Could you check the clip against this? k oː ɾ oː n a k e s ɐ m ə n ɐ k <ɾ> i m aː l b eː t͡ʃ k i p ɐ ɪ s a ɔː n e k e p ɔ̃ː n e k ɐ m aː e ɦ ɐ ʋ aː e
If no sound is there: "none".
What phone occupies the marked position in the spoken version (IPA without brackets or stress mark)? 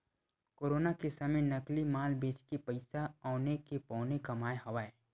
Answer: l